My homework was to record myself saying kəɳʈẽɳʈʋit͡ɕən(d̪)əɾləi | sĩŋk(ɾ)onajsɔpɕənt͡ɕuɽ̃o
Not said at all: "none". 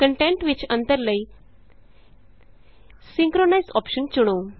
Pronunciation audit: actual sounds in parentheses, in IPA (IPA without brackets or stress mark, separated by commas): t̪, ɾ